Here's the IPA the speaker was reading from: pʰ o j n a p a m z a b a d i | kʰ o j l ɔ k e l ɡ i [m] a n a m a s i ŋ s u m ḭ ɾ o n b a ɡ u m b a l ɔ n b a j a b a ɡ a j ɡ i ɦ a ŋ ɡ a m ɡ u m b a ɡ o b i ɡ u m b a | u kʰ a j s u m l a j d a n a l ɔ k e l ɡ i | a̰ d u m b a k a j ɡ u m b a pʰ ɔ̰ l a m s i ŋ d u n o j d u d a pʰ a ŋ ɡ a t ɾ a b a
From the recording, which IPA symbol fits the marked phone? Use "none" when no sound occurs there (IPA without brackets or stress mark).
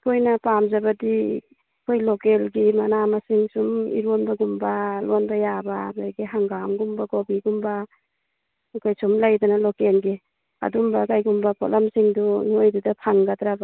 m